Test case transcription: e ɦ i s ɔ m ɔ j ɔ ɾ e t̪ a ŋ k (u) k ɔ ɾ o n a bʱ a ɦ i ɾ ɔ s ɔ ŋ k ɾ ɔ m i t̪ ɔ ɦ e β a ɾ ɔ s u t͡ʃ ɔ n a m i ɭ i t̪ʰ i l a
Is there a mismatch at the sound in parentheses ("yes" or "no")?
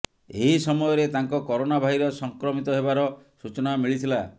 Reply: yes